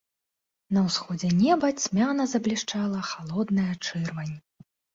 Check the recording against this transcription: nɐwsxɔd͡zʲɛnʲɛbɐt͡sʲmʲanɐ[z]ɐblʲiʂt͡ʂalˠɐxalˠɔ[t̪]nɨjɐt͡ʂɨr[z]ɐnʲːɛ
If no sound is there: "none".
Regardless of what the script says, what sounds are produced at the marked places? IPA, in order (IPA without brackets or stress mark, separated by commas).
z, d̪, v